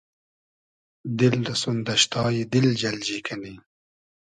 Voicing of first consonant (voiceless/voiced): voiced